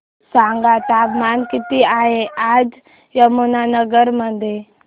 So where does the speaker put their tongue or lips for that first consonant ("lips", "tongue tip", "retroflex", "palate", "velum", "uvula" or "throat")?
tongue tip